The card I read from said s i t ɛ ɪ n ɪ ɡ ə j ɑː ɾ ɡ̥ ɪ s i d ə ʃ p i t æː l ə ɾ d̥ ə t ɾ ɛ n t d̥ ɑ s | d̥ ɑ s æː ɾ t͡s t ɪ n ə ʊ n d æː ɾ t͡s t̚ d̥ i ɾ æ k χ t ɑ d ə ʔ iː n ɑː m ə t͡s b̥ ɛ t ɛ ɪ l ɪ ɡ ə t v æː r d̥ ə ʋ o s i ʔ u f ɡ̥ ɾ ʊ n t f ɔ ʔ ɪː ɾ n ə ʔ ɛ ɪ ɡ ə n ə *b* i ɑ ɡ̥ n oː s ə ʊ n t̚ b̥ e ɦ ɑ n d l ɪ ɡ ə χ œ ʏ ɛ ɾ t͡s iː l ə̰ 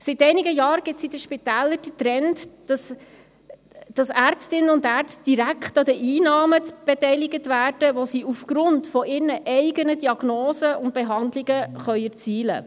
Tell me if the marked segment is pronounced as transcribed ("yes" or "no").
no